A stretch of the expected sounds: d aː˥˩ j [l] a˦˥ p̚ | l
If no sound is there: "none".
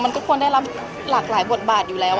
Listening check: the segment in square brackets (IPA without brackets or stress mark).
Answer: l